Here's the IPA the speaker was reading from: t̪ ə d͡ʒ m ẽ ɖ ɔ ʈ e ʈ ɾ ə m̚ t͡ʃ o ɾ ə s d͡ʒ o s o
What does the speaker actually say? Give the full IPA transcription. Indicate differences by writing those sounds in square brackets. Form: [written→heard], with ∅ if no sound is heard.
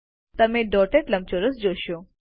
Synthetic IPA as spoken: t̪ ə [d͡ʒ→∅] m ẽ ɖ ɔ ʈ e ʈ [ɾ→l] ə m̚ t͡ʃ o ɾ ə s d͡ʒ o [s→ʃ] o